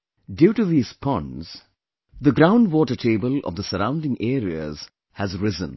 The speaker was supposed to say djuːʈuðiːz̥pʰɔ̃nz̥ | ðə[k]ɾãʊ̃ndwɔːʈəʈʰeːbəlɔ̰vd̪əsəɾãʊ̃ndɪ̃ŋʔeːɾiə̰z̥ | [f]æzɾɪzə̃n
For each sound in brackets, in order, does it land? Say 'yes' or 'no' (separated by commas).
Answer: no, no